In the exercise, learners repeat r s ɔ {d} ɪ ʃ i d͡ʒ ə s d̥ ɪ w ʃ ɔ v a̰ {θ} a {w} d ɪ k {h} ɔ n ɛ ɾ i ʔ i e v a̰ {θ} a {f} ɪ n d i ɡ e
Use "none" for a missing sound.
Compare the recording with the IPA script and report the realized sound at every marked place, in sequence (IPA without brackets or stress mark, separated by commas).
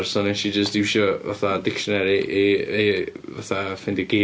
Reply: n, θ, none, ʃ, θ, f